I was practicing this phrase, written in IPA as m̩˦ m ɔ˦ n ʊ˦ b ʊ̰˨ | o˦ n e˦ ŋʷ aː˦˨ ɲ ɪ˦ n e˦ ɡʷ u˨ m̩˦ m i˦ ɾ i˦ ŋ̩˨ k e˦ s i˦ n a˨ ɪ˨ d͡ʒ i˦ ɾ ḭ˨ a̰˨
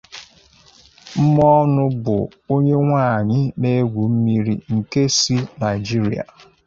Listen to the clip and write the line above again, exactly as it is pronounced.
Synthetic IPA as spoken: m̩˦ m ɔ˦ n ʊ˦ b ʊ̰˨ | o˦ ɲ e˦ ŋʷ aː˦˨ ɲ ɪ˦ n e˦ ɡʷ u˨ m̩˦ m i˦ ɾ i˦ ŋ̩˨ k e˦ s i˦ n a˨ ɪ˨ d͡ʒ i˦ ɾ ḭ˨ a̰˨